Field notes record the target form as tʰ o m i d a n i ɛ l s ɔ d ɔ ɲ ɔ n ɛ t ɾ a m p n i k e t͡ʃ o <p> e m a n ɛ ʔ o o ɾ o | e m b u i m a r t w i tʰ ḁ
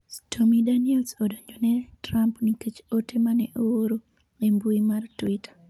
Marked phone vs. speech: incorrect: t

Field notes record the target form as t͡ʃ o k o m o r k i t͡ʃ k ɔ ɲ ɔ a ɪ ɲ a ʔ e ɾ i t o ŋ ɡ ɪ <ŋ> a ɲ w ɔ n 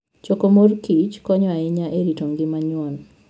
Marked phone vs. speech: incorrect: m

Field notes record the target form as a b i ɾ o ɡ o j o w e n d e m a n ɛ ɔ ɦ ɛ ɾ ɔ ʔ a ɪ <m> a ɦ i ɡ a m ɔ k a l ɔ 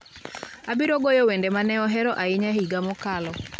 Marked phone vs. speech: incorrect: ɲ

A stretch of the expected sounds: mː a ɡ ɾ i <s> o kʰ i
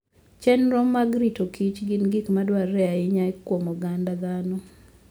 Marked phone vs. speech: incorrect: t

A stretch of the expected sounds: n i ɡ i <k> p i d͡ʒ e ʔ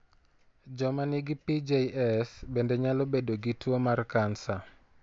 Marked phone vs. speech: incorrect: none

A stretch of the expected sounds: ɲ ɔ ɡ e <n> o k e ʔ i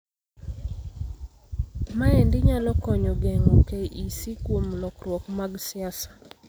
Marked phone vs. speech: incorrect: ŋ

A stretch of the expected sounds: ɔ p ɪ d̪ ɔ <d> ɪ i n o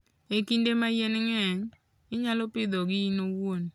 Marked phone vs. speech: incorrect: ɡ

